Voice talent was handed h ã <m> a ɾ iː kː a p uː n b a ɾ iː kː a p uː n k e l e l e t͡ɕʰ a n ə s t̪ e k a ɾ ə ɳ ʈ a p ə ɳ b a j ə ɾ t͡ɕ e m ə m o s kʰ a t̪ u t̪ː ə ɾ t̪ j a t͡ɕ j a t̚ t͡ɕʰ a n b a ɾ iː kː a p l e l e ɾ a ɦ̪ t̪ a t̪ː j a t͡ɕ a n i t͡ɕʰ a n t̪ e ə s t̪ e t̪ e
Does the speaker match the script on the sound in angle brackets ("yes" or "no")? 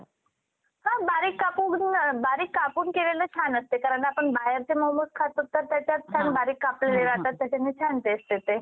no